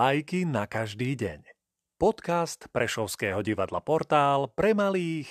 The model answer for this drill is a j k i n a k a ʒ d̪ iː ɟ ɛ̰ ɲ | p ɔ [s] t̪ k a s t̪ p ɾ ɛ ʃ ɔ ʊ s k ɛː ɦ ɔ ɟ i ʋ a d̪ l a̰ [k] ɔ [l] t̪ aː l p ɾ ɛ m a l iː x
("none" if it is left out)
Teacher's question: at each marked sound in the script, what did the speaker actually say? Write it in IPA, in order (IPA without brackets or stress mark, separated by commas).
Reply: none, p, ɾ